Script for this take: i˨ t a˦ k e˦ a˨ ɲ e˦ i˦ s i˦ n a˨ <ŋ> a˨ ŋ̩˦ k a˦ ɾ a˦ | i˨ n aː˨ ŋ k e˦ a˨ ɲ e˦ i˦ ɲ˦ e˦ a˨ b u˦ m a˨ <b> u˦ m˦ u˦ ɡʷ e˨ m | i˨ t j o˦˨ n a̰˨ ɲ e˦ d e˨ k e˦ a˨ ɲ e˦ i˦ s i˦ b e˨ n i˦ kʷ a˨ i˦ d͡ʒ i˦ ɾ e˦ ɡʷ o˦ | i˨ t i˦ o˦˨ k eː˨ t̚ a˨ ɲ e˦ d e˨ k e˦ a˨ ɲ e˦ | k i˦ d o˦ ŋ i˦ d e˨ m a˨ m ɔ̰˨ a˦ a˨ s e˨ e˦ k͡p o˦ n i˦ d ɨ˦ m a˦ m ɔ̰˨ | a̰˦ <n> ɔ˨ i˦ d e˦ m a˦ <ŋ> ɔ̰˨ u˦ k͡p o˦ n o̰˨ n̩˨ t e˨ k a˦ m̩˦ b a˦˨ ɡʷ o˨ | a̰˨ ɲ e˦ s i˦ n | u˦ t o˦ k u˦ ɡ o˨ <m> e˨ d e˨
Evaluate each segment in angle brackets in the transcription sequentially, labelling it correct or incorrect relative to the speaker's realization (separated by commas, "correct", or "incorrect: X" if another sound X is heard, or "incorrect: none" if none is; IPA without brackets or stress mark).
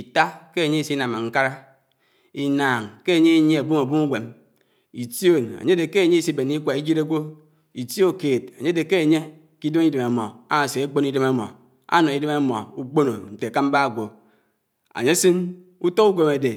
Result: incorrect: m, correct, correct, incorrect: m, correct